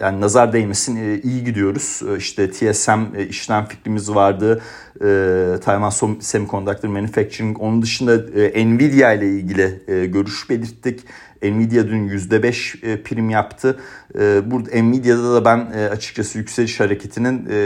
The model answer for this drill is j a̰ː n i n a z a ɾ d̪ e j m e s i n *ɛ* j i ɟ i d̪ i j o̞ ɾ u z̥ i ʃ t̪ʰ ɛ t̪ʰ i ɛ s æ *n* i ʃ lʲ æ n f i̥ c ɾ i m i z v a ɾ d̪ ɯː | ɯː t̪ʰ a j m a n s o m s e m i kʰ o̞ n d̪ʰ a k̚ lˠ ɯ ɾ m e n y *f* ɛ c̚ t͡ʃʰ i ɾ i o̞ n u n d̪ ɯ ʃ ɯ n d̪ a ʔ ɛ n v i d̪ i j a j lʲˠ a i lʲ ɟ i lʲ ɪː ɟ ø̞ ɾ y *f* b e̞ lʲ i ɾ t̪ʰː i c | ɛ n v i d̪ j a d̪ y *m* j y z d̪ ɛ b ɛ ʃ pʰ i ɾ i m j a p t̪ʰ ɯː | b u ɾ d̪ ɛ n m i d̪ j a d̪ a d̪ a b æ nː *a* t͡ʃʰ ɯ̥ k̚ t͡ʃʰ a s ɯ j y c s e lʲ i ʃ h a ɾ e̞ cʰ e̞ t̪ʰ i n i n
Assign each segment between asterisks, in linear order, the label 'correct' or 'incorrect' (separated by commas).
incorrect, incorrect, correct, incorrect, incorrect, correct